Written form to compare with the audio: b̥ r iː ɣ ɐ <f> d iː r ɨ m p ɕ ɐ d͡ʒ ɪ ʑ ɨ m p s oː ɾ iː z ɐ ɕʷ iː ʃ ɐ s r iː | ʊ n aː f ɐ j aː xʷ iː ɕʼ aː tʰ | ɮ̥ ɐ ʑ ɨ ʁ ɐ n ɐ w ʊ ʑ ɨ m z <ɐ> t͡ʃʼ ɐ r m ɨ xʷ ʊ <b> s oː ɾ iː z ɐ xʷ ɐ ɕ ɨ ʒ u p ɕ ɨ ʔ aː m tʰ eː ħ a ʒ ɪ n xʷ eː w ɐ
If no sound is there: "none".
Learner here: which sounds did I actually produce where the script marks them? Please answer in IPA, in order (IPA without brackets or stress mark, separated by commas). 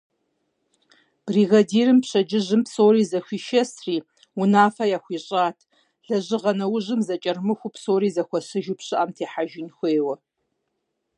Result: none, ɐ, p